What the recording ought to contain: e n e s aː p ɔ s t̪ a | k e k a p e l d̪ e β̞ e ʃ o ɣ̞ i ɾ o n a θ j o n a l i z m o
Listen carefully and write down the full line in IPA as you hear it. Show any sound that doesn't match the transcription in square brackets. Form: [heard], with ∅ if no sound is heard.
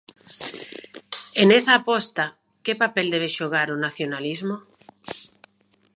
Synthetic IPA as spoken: e n e s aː p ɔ s t̪ a | k e [p] a p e l d̪ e β̞ e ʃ o ɣ̞ [a] ɾ o n a θ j o n a l i z m o